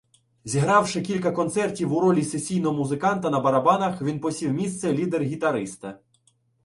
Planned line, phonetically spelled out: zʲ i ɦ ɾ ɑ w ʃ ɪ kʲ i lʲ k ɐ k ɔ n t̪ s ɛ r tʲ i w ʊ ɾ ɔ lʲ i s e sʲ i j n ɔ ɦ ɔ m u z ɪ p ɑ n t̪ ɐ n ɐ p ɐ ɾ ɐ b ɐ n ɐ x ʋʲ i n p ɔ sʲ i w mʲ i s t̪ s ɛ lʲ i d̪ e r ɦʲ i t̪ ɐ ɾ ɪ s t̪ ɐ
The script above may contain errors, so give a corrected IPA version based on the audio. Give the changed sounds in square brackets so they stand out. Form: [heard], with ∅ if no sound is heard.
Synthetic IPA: zʲ i ɦ ɾ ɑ w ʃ ɪ kʲ i lʲ k ɐ k ɔ n t̪ s ɛ r tʲ i w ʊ ɾ ɔ lʲ i s e sʲ i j n ɔ ɦ ɔ m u z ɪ [k] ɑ n t̪ ɐ n ɐ [b] ɐ ɾ ɐ b [ɑ] n ɐ x ʋʲ i n p ɔ sʲ i w mʲ i s t̪ s ɛ lʲ i d̪ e r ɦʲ i t̪ ɐ ɾ ɪ s t̪ ɐ